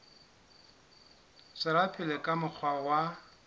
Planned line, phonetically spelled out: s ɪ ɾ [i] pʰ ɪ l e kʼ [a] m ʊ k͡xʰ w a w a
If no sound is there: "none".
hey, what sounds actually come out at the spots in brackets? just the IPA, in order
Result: a, a

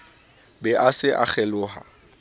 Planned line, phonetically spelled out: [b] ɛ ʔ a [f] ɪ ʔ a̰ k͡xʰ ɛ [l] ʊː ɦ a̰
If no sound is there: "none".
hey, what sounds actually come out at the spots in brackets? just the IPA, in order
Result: b, s, l

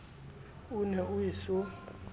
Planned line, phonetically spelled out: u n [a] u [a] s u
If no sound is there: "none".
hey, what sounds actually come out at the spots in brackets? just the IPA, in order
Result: ɛ, i

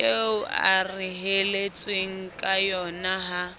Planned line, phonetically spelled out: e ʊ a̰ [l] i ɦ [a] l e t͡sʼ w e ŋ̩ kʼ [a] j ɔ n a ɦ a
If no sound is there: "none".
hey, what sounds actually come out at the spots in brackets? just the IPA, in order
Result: r, e, a

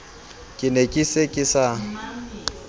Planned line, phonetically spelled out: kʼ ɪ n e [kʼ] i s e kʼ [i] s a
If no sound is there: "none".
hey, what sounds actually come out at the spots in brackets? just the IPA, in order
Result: kʼ, ɪ

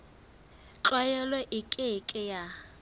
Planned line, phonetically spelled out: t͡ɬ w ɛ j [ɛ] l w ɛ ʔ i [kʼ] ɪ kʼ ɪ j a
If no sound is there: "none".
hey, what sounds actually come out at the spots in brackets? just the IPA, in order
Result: ɛ, kʼ

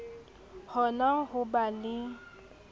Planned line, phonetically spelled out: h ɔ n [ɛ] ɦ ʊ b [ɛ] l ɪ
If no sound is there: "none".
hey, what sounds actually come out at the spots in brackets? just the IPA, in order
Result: a, a

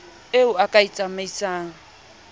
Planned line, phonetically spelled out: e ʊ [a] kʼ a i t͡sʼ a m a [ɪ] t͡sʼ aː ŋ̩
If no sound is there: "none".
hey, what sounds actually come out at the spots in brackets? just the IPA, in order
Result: a, i

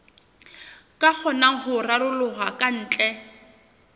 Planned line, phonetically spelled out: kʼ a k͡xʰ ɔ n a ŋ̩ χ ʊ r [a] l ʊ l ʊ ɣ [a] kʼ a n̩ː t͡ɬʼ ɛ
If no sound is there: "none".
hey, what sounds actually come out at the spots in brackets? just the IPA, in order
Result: a, a

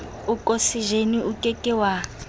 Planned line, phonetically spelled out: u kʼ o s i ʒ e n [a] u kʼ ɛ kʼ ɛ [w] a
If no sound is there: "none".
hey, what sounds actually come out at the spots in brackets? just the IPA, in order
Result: i, w

